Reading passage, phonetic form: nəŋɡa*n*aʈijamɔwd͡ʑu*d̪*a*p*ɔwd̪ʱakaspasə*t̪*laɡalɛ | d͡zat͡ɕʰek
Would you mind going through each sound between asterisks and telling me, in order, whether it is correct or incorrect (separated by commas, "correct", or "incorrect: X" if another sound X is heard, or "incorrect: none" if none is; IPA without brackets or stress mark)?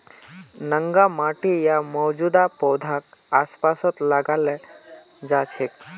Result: incorrect: m, correct, correct, correct